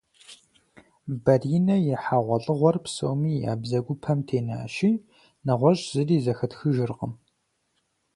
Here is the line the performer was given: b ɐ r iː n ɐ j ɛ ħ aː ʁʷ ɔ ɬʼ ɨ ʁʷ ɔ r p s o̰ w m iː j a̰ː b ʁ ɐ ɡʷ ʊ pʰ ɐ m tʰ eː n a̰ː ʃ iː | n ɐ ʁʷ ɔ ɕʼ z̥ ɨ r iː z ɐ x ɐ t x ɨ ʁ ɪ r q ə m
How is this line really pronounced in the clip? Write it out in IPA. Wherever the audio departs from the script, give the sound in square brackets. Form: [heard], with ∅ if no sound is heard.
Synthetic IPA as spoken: b ɐ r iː n ɐ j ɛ ħ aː ʁʷ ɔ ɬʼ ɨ ʁʷ ɔ r p s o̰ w m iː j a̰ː b [z] ɐ ɡʷ ʊ pʰ ɐ m tʰ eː n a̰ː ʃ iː | n ɐ ʁʷ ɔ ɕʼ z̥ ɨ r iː z ɐ x ɐ t x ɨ [ʒ] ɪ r q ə m